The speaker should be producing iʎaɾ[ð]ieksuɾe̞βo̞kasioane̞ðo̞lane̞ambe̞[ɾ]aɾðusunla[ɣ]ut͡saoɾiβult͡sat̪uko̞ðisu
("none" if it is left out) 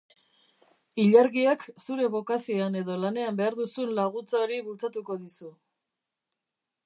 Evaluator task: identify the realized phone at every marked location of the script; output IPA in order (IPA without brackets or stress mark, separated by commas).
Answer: ɣ, none, ɣ